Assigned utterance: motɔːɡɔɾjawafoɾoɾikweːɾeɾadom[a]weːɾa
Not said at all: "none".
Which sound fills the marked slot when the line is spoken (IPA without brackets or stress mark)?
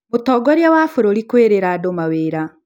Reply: a